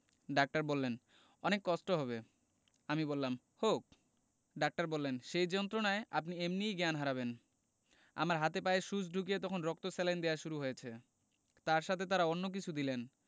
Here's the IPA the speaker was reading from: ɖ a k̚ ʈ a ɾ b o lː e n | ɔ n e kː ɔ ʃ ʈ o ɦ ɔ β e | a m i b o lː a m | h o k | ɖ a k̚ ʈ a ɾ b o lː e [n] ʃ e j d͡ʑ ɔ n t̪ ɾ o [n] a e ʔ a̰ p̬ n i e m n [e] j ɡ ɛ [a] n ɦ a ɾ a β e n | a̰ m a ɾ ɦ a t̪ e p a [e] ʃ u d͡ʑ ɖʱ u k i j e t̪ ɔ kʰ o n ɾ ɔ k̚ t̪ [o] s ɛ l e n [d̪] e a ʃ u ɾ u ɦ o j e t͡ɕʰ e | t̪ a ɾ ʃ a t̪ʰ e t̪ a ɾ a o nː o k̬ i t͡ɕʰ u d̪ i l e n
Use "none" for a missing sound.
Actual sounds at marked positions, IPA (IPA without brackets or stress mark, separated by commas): n, n, i, a, e, o, d̪